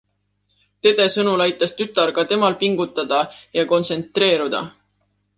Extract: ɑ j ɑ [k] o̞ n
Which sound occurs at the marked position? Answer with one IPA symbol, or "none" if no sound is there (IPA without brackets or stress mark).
k